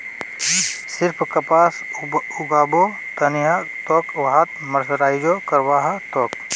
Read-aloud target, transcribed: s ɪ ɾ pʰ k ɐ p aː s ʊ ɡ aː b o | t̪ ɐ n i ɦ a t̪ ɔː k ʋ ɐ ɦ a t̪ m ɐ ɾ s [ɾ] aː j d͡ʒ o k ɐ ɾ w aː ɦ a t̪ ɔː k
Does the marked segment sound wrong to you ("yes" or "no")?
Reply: no